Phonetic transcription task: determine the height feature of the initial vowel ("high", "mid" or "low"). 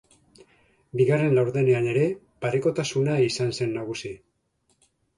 high